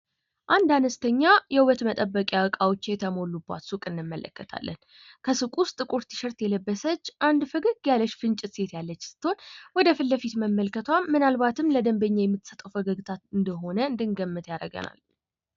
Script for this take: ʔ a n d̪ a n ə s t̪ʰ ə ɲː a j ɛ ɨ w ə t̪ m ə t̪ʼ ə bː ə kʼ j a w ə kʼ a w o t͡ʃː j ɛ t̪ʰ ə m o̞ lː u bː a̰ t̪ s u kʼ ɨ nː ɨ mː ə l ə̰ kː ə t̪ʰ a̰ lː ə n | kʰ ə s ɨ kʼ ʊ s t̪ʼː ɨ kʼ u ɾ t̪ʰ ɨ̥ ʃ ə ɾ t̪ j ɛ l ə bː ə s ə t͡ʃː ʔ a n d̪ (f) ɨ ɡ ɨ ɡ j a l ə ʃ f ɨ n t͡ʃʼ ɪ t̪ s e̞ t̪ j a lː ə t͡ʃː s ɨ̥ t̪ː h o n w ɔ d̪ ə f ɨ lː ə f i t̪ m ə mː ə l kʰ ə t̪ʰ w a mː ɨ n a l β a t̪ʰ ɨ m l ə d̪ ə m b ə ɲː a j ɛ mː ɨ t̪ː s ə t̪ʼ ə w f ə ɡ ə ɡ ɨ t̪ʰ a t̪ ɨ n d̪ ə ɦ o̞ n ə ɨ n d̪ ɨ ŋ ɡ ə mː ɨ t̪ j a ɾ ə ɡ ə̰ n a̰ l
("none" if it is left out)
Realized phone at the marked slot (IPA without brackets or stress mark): f